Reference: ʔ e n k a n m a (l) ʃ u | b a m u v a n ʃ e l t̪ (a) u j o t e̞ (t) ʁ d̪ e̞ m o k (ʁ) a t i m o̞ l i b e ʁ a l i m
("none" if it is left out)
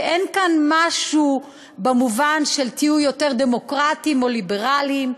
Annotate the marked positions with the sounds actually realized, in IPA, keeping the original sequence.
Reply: none, i, none, ʁ

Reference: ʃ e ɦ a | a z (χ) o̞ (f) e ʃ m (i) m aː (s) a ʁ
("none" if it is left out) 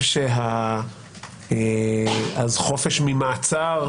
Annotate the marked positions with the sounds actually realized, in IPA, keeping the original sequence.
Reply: χ, f, i, t͡s

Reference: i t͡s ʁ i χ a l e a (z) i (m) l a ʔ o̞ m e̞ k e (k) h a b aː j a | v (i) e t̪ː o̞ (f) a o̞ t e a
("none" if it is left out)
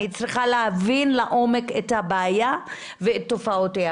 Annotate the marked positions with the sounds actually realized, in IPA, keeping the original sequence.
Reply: v, n, t, e, f

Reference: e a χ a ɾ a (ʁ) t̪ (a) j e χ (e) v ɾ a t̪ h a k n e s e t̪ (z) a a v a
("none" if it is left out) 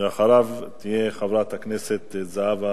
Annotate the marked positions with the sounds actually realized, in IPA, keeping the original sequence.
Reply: v, i, a, z

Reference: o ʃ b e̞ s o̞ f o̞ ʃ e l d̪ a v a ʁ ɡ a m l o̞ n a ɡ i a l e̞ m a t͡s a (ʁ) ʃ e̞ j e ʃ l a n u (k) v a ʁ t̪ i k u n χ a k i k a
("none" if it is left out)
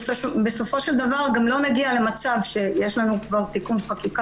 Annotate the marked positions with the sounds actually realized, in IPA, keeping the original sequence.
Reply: v, k

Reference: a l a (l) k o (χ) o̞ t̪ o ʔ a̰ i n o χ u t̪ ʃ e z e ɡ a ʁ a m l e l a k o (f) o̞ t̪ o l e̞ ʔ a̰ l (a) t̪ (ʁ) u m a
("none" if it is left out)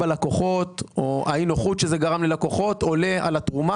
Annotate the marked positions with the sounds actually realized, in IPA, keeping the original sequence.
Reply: none, χ, χ, a, ʁ

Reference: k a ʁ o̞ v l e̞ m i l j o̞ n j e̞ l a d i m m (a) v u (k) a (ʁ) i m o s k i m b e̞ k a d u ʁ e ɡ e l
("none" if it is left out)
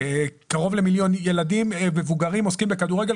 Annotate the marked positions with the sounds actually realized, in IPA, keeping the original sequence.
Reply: e, ɡ, ʁ

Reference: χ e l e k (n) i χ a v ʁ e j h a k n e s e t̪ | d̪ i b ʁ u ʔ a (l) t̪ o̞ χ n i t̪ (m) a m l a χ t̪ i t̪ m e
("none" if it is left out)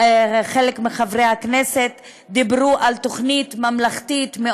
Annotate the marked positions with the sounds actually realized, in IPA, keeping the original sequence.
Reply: m, l, m

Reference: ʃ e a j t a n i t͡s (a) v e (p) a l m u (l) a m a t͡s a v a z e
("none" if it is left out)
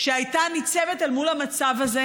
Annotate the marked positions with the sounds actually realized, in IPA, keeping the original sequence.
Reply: e, t, l

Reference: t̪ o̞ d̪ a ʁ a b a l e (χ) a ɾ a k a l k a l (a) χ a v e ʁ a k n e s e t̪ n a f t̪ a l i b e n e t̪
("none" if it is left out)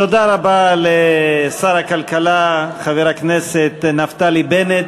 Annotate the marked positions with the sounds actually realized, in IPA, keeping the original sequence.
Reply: s, a

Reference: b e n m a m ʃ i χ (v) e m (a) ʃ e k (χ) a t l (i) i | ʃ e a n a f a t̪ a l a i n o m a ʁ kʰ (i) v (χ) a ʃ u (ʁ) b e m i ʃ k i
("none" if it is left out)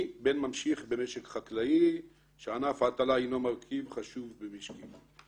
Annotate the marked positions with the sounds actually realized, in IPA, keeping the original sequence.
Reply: b, e, χ, a, i, χ, v

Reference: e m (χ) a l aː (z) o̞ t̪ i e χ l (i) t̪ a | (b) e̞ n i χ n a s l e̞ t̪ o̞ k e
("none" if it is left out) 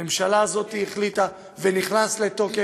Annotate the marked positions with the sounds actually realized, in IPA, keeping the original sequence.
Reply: ʃ, z, i, v

